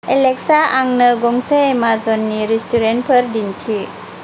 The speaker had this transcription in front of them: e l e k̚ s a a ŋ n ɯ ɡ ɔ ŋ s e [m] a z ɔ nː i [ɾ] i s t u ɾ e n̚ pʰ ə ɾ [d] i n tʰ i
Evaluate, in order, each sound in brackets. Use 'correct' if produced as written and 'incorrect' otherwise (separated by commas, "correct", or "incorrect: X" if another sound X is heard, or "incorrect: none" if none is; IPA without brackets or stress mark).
correct, correct, correct